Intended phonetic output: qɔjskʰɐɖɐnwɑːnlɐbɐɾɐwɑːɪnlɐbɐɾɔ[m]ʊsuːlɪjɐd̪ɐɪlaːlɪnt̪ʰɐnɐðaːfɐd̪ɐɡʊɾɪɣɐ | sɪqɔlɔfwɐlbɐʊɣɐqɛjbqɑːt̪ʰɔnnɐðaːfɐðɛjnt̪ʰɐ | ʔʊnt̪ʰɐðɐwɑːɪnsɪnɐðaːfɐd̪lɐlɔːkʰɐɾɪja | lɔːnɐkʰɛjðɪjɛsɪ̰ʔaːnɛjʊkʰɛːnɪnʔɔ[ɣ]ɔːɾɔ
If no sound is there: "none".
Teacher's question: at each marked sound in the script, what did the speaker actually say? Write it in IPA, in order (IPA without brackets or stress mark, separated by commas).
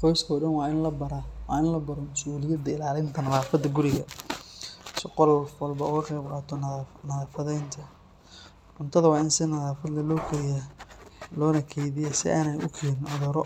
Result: m, ð